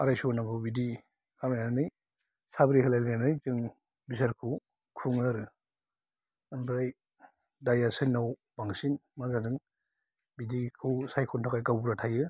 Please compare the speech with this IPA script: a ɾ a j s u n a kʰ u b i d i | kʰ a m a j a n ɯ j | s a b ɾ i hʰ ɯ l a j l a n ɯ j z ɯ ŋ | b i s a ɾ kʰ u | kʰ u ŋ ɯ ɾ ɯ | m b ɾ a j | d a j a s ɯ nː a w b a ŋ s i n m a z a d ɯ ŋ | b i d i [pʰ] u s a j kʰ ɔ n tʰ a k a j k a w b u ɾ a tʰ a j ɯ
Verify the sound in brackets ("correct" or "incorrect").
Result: incorrect